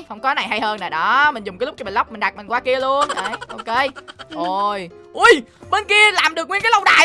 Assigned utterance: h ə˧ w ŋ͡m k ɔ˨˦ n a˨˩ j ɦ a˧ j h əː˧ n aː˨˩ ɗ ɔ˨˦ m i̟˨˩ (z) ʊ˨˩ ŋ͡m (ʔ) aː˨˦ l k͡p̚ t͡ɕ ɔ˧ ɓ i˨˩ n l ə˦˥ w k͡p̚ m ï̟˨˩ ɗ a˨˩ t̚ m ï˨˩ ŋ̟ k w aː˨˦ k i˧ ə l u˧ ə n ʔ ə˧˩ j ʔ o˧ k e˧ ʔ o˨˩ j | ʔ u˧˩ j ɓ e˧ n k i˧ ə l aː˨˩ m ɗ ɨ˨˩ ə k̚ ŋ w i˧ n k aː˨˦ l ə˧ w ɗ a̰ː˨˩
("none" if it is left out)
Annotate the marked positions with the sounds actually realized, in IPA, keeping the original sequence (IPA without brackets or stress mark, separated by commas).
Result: z, k